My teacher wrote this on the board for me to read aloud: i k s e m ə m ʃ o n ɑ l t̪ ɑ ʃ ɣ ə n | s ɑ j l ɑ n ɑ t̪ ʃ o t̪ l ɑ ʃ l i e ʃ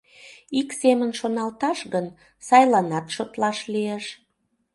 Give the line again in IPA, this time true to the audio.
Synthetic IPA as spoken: i k s e m ə n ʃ o n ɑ l t̪ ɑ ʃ ɣ ə n | s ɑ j l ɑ n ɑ t̪ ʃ o t̪ l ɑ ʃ l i e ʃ